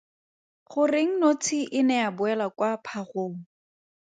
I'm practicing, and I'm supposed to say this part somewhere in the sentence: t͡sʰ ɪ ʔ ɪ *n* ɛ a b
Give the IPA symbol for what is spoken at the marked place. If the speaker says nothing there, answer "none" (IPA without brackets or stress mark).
n